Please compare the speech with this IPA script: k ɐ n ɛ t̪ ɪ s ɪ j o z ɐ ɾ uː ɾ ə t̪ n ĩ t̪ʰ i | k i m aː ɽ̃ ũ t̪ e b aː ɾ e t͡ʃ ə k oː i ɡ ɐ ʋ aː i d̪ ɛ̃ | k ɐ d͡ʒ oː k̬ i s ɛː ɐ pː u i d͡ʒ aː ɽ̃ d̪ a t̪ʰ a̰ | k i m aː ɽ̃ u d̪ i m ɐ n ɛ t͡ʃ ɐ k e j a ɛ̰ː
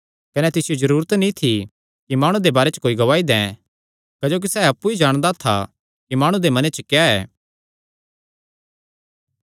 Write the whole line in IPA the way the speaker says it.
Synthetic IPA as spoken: k ɐ n ɛ t̪ ɪ s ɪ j o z ɐ ɾ uː ɾ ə t̪ n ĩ t̪ʰ i | k i m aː ɽ̃ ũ d̪ e b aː ɾ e t͡ʃ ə k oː i ɡ ɐ ʋ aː i d̪ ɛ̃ | k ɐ d͡ʒ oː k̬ i s ɛː ɐ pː u i d͡ʒ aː ɽ̃ d̪ a t̪ʰ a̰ | k i m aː ɽ̃ u d̪ e m ɐ n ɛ t͡ʃ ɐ k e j a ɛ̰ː